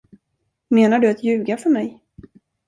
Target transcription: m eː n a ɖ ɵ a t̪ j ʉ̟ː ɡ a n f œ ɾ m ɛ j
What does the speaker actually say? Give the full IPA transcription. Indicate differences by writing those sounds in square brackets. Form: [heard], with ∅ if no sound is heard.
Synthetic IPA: m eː n a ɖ ɵ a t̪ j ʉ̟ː ɡ a [∅] f œ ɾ m ɛ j